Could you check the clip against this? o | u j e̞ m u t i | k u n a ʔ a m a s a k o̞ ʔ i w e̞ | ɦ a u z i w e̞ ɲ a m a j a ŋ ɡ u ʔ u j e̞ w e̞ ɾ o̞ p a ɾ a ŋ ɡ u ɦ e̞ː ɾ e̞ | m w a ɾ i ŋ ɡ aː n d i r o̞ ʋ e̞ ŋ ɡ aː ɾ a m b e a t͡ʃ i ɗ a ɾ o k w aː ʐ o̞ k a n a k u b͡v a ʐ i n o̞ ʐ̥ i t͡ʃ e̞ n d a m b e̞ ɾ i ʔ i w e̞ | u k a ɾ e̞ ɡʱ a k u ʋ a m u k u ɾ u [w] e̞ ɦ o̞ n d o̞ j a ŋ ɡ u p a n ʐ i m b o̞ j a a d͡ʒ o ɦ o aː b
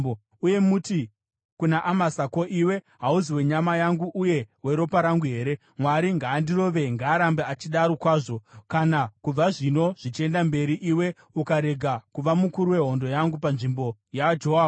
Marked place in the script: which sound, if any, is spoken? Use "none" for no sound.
w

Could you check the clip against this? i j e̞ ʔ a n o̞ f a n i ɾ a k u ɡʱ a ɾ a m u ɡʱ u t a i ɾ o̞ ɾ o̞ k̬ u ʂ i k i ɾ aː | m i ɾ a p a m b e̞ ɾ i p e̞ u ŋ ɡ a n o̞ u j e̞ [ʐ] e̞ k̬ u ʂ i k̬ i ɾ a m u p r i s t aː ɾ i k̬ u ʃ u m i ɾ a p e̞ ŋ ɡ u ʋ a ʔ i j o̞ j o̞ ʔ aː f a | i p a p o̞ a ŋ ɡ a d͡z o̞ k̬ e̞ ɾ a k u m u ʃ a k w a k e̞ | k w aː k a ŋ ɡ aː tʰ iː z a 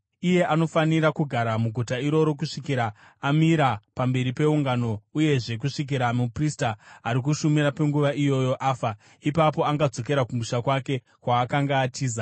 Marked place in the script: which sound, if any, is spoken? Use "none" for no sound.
ʐ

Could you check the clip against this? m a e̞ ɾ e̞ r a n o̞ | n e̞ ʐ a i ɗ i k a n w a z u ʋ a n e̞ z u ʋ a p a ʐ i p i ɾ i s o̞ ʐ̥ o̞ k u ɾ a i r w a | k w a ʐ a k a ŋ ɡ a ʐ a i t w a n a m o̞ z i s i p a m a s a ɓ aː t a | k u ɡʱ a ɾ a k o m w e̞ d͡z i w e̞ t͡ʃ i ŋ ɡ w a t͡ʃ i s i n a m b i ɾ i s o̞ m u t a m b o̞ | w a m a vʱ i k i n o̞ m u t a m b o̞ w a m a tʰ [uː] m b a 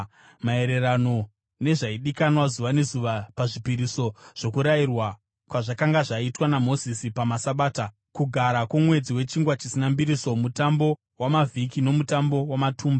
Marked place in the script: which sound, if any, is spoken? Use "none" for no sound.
uː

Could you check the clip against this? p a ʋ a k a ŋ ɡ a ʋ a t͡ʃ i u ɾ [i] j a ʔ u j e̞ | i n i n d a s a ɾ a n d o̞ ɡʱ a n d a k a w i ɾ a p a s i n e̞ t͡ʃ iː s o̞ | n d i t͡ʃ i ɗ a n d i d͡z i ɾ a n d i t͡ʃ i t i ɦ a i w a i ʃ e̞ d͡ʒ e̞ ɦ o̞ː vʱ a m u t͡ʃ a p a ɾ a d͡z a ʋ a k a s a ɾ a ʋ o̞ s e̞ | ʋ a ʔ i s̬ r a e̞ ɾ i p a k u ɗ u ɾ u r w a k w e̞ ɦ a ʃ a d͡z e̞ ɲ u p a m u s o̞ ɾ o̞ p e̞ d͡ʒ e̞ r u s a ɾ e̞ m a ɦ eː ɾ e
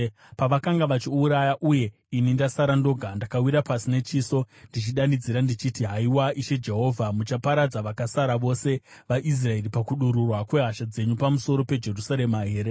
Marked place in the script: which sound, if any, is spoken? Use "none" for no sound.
a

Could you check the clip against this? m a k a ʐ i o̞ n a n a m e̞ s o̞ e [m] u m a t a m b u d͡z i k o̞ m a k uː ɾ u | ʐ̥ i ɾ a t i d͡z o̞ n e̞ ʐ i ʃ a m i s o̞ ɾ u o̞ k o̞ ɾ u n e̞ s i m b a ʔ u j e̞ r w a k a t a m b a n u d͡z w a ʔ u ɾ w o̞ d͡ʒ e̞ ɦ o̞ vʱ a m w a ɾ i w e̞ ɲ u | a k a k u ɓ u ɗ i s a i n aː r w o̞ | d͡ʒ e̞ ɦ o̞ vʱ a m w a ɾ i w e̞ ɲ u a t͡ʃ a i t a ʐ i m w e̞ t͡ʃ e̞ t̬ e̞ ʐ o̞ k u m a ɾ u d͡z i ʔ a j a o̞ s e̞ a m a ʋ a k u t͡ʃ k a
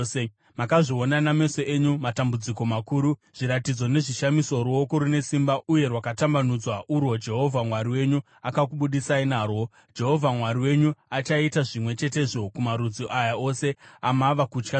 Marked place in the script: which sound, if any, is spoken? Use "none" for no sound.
ɲ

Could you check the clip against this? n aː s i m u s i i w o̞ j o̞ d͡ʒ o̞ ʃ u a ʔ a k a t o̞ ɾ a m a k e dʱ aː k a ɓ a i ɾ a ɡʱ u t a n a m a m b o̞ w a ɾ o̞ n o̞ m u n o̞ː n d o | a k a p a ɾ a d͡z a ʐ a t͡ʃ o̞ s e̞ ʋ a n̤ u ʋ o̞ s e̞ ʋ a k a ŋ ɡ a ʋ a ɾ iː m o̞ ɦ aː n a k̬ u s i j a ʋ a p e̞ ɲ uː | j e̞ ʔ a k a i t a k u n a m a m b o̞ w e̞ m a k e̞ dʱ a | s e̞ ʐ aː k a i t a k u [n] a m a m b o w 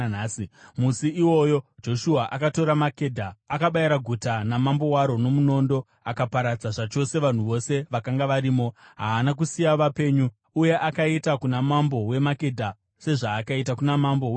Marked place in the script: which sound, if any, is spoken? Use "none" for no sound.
n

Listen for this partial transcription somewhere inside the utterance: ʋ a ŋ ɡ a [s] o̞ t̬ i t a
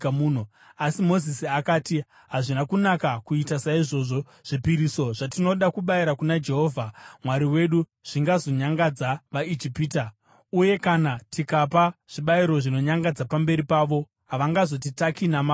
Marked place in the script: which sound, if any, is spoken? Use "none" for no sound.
z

